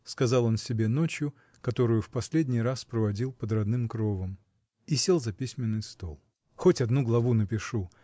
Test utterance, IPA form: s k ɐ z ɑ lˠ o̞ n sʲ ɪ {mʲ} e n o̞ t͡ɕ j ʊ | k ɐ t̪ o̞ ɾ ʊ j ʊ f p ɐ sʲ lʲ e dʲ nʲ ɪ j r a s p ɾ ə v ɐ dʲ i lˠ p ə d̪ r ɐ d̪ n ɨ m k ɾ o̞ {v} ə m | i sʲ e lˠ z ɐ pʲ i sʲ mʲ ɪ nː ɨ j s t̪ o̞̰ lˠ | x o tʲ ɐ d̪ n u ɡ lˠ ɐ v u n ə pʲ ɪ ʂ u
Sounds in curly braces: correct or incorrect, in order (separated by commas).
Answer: incorrect, correct